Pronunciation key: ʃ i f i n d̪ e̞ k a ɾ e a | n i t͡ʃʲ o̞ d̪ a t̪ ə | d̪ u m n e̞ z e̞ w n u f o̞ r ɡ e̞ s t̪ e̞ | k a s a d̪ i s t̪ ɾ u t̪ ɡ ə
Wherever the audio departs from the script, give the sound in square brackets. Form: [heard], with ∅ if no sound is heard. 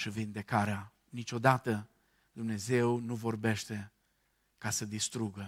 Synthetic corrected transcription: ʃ i [v] i n d̪ e̞ k a ɾ e a | n i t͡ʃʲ o̞ d̪ a t̪ ə | d̪ u m n e̞ z e̞ w n u [v] o̞ r [b] e̞ [ʃ] t̪ e̞ | k a s [ə] d̪ i s t̪ ɾ u [∅] ɡ ə